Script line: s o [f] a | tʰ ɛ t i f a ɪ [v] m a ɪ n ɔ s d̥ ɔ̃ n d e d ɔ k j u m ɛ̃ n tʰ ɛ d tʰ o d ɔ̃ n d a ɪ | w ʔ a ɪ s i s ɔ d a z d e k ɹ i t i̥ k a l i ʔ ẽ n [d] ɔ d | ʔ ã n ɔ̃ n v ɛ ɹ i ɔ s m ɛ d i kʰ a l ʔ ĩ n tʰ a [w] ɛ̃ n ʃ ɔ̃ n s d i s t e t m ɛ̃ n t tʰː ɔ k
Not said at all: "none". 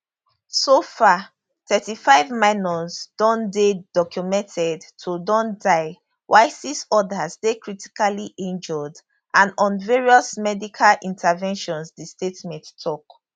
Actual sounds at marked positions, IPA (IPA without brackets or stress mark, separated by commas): f, v, d͡ʒ, v